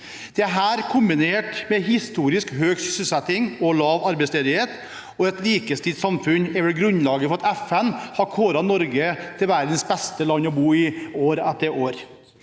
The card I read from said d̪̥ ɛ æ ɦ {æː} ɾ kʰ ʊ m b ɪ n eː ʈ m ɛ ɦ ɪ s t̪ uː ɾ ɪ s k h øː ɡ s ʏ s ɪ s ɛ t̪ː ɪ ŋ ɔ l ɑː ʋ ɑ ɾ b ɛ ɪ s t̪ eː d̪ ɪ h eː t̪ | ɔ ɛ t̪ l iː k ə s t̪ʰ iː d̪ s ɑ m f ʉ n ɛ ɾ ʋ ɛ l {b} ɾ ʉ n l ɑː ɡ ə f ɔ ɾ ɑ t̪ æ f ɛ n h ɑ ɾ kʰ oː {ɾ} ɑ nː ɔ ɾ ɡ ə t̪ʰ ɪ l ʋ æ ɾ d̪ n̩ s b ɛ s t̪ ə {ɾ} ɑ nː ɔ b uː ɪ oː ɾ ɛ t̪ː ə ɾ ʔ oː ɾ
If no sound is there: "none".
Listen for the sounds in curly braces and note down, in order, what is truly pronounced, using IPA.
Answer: æː, ɡ, ɾ, l

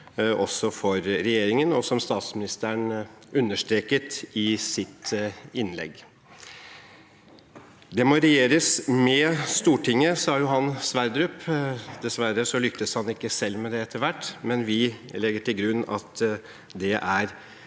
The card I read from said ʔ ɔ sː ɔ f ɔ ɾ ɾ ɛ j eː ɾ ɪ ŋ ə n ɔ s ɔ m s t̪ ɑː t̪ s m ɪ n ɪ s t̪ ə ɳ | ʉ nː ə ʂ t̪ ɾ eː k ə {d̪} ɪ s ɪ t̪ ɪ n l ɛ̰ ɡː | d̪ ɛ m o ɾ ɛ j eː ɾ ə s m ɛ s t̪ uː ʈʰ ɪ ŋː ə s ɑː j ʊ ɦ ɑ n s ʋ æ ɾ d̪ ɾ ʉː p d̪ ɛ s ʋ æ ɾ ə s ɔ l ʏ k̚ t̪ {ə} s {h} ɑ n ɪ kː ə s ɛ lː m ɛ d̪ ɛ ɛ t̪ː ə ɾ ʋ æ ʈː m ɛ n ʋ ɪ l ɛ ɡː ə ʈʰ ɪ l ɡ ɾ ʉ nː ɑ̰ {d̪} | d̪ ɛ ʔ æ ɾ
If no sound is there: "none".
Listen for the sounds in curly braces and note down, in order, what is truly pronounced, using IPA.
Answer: t̪, ə, h, t̪

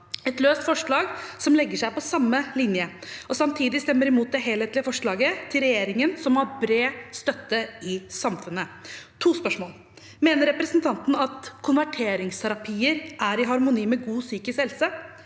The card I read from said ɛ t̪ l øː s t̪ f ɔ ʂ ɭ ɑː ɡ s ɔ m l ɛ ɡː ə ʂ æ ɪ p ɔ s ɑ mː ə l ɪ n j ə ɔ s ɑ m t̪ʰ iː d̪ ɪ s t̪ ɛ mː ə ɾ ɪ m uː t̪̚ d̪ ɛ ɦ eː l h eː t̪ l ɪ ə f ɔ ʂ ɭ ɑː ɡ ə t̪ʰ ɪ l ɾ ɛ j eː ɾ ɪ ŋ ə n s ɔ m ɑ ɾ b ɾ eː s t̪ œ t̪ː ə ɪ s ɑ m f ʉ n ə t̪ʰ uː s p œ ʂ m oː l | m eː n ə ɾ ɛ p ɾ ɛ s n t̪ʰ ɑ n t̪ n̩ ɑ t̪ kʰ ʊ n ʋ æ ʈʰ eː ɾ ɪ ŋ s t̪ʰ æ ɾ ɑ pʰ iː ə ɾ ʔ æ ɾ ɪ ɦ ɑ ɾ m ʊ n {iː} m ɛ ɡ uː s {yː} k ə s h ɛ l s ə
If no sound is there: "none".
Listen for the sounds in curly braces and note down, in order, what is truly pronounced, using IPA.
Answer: iː, yː

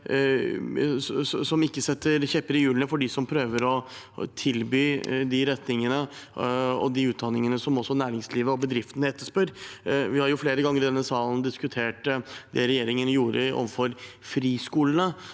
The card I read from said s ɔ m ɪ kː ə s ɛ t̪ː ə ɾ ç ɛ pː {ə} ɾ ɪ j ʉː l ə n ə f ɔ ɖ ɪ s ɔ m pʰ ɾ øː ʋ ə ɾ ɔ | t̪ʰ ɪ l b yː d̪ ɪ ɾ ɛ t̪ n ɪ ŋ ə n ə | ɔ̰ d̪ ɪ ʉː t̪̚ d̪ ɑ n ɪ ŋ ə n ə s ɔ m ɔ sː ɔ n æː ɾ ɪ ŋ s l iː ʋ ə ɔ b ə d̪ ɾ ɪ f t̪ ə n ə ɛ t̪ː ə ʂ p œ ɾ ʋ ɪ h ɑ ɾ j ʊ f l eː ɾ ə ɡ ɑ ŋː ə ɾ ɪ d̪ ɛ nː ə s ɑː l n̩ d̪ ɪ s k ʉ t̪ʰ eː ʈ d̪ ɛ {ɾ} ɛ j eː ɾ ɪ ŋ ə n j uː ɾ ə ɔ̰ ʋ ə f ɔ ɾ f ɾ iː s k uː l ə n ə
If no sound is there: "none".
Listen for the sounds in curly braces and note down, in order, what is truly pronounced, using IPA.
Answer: ə, ɾ

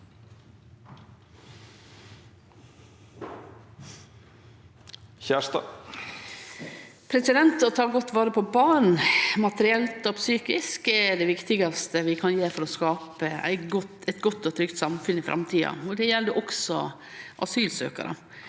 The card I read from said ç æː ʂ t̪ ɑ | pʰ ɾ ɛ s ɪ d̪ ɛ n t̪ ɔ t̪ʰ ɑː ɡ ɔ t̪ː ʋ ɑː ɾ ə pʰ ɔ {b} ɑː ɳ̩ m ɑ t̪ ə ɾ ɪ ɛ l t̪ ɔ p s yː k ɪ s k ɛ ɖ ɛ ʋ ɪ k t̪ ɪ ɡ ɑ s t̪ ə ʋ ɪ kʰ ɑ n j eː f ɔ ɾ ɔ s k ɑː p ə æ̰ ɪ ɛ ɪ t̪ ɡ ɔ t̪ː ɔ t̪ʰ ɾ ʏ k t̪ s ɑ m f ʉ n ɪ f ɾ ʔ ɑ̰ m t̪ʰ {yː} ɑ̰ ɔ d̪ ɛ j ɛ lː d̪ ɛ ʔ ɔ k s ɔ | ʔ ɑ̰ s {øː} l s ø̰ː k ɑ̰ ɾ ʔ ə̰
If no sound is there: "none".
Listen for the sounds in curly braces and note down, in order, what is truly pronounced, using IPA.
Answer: b, iː, yː

